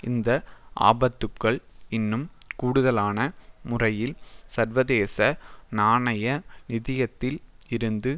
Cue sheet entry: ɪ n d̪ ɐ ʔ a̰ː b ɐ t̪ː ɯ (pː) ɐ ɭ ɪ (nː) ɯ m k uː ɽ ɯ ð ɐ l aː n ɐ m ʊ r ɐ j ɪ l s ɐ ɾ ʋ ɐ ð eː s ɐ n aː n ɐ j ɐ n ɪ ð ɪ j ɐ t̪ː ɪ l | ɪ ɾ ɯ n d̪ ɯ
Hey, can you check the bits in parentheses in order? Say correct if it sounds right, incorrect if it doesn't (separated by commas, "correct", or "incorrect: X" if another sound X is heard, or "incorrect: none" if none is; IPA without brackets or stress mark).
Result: incorrect: kː, correct